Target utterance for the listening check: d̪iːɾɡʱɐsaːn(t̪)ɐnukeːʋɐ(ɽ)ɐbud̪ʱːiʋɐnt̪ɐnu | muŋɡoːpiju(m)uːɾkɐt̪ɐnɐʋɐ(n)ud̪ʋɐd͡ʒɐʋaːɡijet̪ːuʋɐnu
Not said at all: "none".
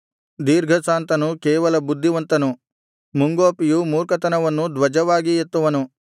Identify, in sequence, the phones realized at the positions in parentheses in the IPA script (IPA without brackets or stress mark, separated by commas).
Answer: t̪, l, m, nː